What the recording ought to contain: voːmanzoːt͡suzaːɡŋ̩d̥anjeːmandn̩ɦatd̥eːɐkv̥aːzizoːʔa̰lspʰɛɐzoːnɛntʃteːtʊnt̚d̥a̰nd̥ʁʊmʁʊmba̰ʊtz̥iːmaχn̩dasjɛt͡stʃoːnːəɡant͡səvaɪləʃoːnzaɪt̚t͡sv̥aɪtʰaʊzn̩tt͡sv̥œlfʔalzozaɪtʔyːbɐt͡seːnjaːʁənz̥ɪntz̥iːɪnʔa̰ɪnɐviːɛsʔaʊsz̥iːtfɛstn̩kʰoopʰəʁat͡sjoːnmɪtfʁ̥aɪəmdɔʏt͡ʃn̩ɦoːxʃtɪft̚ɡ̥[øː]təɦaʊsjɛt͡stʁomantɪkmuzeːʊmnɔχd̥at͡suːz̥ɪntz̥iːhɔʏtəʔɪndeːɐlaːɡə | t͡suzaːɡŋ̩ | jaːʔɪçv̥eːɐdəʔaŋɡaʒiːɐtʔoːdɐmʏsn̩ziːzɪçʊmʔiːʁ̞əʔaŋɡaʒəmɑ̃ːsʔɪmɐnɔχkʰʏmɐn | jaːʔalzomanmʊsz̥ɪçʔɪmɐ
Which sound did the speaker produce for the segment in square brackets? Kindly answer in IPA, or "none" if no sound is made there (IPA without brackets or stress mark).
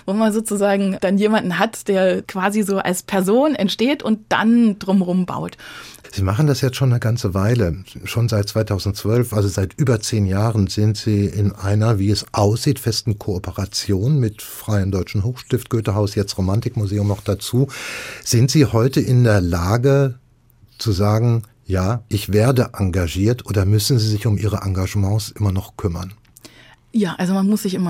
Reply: øː